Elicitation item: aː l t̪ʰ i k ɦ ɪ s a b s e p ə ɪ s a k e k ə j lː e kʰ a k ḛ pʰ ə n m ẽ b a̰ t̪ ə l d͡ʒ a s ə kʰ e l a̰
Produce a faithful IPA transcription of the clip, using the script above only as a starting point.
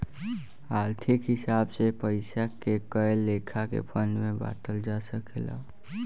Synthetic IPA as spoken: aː l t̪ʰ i k ɦ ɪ s a b s e p ə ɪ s a k e k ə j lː e kʰ a k ḛ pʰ ə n m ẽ b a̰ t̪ ə l d͡ʒ a s ə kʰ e l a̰